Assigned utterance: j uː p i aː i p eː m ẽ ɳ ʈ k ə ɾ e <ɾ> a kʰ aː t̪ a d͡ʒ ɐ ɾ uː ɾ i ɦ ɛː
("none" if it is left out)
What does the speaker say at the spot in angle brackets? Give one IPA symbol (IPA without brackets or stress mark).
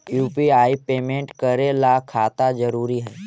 l